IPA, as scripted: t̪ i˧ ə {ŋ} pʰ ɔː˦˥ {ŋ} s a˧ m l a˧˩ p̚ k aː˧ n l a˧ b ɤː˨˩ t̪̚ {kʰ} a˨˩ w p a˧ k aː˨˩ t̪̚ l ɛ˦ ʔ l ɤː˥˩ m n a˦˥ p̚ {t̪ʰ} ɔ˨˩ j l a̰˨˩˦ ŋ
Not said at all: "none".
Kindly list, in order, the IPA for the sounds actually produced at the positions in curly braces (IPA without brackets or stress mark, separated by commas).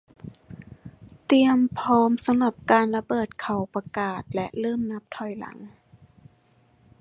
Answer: m, m, kʰ, t̪ʰ